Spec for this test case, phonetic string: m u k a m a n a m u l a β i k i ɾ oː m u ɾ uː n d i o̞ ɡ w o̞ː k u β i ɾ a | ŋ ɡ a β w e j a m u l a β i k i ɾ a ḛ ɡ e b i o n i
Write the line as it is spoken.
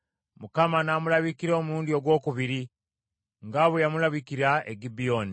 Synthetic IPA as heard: m u k a m a n a m u l a β i k i ɾ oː m u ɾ uː n d i o̞ ɡ w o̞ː k u β i ɾ i | ŋ ɡ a β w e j a m u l a β i k i ɾ a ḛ ɡ i b i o n i